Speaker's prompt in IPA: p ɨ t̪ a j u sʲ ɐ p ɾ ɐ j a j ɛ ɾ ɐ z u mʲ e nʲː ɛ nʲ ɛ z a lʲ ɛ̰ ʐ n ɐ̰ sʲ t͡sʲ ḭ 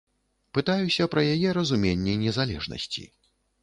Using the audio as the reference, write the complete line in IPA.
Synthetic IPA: p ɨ t̪ a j u sʲ ɐ p ɾ ɐ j a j ɛ ɾ ɐ z u mʲ e nʲː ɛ nʲ ɛ z a lʲ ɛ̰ ʐ n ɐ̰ sʲ t͡sʲ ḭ